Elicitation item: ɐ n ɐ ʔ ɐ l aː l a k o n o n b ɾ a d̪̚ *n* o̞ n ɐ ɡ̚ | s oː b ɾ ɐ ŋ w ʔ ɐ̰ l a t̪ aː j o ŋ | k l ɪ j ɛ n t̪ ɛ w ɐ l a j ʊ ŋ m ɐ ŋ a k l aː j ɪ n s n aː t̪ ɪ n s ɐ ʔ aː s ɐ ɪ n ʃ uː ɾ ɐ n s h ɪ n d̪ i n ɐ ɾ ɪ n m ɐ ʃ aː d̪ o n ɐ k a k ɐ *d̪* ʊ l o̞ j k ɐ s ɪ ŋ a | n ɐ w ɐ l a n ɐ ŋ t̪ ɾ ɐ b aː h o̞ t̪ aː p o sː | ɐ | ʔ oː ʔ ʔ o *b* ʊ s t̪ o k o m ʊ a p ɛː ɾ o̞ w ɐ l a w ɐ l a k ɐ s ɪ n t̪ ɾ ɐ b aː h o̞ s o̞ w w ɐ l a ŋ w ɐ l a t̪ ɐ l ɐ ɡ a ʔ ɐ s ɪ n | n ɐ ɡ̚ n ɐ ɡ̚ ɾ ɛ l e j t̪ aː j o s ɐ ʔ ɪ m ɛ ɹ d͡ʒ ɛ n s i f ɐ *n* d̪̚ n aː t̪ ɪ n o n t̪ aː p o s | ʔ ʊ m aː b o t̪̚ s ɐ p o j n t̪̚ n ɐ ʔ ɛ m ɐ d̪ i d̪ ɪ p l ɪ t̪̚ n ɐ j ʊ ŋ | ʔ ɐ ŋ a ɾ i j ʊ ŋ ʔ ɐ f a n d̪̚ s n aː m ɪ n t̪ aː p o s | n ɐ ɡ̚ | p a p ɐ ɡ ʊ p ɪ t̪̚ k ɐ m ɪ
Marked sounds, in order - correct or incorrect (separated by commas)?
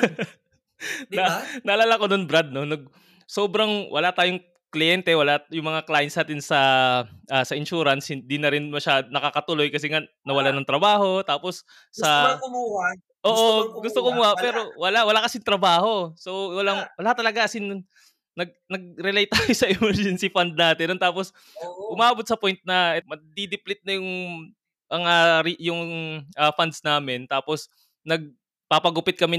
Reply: correct, incorrect, incorrect, correct